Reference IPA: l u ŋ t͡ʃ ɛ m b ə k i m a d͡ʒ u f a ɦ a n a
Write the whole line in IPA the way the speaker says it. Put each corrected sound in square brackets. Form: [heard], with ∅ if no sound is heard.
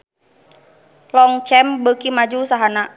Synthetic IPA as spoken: l [ɔ] ŋ t͡ʃ ɛ m b ə k i m a d͡ʒ u [s] a ɦ a n a

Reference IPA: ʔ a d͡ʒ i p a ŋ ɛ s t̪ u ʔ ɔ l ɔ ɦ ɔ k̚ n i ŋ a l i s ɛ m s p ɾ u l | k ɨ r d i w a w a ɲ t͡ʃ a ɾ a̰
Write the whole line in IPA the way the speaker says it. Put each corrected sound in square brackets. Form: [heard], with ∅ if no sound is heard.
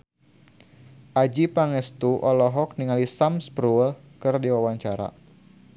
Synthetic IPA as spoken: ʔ a d͡ʒ i p a ŋ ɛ s t̪ u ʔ ɔ l ɔ ɦ ɔ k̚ n i ŋ a l i s [a] m s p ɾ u l | k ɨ r d i w a w a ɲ t͡ʃ a ɾ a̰

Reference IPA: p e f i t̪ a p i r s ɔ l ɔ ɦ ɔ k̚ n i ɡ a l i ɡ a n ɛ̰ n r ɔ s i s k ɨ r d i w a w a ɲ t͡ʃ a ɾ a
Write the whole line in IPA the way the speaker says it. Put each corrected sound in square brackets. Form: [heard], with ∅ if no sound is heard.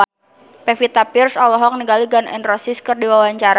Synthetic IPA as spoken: p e f i t̪ a p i r s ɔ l ɔ ɦ ɔ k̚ n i ɡ a l i ɡ a n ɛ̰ n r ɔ s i s k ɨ r d i w a w a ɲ t͡ʃ a ɾ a

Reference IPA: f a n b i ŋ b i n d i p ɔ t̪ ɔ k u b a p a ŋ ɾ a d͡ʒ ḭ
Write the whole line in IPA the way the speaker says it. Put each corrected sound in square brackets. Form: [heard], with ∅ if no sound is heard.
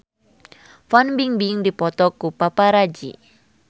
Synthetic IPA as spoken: f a n b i ŋ b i [ŋ] d i p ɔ t̪ ɔ k u [p] a p a [∅] ɾ a d͡ʒ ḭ

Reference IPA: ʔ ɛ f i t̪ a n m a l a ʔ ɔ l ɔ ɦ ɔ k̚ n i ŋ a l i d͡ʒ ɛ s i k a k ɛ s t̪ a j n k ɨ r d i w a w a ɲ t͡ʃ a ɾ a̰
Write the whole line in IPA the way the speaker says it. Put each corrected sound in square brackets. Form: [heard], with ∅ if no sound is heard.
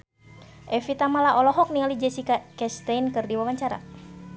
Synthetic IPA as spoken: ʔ ɛ f i t̪ a [∅] m a l a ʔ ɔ l ɔ ɦ ɔ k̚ n i ŋ a l i d͡ʒ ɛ s i k a k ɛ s t̪ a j n k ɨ r d i w a w a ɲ t͡ʃ a ɾ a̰

